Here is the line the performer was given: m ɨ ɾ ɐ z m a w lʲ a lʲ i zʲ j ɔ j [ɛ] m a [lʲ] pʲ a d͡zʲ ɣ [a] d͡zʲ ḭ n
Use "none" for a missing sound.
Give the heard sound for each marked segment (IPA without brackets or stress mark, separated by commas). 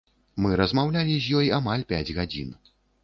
a, lʲ, a